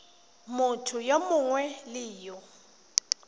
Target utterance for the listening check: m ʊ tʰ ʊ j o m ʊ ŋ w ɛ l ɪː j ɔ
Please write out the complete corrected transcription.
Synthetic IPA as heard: m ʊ tʰ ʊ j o m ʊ ŋ w ɛ l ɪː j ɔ